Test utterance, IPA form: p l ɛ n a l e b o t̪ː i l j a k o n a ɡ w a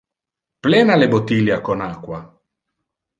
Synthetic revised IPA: p l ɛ n a l e b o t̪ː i l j a k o n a k w a